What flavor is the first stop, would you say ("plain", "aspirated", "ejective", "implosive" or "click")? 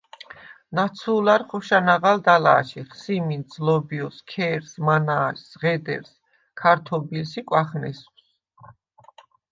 plain